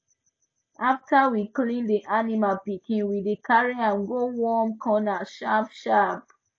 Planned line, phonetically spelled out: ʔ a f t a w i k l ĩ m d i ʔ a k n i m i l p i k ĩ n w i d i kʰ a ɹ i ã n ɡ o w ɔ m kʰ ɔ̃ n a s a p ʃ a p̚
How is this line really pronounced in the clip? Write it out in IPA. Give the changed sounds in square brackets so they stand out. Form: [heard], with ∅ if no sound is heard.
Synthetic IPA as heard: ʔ a f t a w i k l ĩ [n] d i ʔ a [∅] n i m [a] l p i k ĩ n w i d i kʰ a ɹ i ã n ɡ o w ɔ m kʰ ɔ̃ n a [ʃ] a p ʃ a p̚